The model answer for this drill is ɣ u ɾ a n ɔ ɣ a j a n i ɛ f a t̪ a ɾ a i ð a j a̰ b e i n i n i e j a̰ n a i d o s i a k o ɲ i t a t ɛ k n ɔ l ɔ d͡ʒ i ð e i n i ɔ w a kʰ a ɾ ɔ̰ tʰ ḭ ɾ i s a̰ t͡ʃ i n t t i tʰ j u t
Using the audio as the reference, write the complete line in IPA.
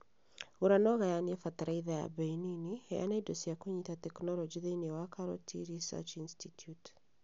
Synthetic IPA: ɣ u ɾ a n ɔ ɣ a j a n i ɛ f a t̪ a ɾ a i ð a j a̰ b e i n i n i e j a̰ n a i d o s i a k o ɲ i t a t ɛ k n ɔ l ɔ d͡ʒ i ð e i n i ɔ w a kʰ a ɾ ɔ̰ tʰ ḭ ɾ i s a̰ t͡ʃ i n s t i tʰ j u t

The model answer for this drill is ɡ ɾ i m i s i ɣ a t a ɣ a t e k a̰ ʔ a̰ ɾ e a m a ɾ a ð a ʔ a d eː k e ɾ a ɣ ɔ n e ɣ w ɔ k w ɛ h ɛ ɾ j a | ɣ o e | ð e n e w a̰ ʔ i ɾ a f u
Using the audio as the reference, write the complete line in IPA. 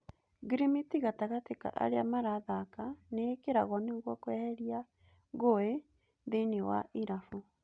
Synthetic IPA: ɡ ɾ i m i t i ɣ a t a ɣ a t e k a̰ ʔ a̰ ɾ e a m a ɾ a ð a k a n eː k e ɾ a ɣ ɔ n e ɣ w ɔ k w ɛ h ɛ ɾ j a | ɣ o e | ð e n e w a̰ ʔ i ɾ a f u

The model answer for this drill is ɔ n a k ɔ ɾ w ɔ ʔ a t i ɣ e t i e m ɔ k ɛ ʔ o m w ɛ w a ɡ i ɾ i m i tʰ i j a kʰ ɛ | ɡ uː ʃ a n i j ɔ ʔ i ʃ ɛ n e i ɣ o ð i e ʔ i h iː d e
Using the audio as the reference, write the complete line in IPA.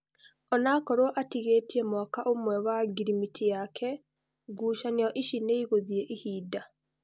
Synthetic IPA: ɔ n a k ɔ ɾ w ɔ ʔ a t i ɣ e t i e m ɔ k a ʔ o m w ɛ w a ɡ i ɾ i m i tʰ i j a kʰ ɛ | ɡ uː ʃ a n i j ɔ ʔ i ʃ i n e i ɣ o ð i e ʔ i h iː d a

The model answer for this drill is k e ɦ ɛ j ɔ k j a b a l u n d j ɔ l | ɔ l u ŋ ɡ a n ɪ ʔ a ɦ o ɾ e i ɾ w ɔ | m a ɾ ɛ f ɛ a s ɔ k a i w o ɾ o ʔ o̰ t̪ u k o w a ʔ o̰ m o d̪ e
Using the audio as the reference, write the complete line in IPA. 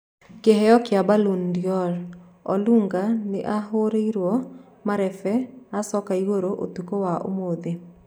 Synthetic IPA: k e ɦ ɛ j ɔ k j a b a l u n d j ɔ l | ɔ l u ŋ ɡ a n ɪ ʔ a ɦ o ɾ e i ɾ w ɔ | m a ɾ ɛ f ɛ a s ɔ k a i w o ɾ o ʔ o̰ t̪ u k o w a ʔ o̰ m o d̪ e

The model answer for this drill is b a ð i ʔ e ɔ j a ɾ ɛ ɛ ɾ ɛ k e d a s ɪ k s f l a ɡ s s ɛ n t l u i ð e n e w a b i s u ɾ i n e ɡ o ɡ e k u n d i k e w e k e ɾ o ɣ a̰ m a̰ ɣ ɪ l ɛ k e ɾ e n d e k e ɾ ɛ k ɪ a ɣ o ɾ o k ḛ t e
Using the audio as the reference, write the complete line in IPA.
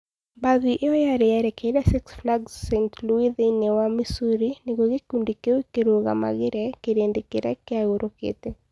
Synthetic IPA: b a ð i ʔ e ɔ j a ɾ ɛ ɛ ɾ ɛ k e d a s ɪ k s f l a ɡ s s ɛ n t l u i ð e n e w a m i s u ɾ i n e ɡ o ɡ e k u n d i k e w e k e ɾ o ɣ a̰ m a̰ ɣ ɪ ɾ ɛ k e ɾ e n d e k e ɾ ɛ k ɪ a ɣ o ɾ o k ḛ t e

